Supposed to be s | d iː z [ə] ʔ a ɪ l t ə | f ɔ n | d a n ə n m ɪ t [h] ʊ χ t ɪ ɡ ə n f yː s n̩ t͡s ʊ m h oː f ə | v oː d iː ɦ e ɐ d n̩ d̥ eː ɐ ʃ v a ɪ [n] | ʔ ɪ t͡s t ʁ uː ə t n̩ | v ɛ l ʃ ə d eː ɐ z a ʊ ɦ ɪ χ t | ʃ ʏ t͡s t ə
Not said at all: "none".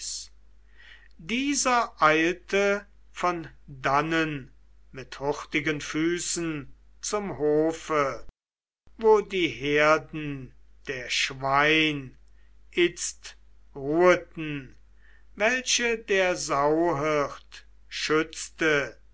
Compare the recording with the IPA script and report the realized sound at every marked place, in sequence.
ɐ, h, n

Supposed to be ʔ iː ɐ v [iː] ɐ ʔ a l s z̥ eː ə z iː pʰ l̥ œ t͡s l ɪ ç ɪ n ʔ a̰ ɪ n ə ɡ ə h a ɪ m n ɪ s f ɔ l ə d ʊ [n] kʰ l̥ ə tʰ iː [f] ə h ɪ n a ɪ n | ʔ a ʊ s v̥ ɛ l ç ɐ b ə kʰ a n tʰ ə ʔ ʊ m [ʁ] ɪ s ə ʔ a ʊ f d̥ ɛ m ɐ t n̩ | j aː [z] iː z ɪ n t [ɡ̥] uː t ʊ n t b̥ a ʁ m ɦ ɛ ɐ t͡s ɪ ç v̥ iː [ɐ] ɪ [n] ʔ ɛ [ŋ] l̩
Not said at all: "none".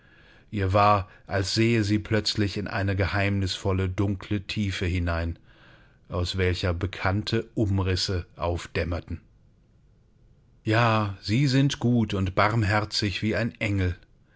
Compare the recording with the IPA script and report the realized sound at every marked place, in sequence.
aː, ŋ, f, ʁ, z, ɡ̥, a, n, ŋ

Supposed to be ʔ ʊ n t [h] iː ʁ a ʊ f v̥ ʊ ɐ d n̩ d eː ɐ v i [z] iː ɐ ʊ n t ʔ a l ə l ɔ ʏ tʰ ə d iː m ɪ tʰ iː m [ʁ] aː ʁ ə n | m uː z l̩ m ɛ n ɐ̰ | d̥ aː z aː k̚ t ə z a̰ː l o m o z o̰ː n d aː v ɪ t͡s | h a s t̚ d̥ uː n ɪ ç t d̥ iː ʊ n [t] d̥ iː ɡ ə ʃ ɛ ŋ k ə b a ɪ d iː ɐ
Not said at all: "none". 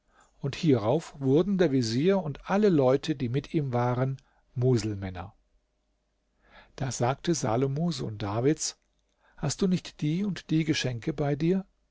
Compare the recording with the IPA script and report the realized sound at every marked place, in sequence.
h, z, v, t

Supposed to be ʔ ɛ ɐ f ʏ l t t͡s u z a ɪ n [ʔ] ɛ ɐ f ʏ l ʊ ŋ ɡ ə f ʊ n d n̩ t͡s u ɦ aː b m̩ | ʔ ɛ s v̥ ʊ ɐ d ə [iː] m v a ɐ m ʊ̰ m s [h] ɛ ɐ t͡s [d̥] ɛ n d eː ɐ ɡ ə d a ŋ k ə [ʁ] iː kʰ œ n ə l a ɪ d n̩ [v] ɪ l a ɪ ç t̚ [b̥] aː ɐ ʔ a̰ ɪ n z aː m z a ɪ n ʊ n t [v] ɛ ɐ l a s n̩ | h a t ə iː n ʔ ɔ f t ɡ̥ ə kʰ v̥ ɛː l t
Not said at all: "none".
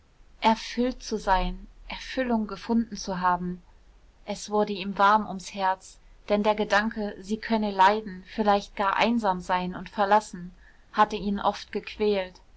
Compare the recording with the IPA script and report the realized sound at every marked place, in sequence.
ʔ, iː, h, d̥, z, f, ɡ̥, f

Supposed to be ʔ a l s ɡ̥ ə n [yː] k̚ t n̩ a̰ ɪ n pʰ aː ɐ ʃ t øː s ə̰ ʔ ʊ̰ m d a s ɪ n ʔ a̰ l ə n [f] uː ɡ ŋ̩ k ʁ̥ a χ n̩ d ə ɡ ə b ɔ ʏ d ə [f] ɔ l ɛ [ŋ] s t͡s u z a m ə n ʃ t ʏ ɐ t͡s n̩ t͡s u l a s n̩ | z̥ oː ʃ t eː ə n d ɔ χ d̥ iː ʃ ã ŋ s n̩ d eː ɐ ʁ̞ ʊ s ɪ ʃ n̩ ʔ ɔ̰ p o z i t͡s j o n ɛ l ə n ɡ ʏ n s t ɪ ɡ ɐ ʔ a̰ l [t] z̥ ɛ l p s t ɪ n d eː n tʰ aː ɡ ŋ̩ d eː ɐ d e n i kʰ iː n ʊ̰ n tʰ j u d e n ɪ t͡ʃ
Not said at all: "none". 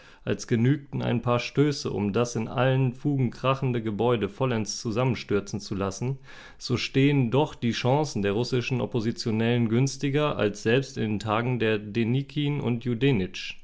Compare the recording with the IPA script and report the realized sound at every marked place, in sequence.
yː, f, f, n, s

